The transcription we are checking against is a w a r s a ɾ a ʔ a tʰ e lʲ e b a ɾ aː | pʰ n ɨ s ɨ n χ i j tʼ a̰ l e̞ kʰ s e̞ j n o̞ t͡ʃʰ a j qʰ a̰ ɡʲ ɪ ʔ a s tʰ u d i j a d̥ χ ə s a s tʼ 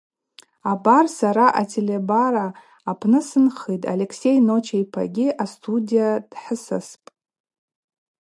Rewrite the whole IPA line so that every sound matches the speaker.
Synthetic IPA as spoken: a b a r s a ɾ a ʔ a tʰ e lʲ e b a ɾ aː | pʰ n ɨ s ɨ n χ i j tʼ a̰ l e̞ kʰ s e̞ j n o̞ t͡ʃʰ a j pʰ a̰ ɡʲ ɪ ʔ a s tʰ u d i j a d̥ ħ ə s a s pʼ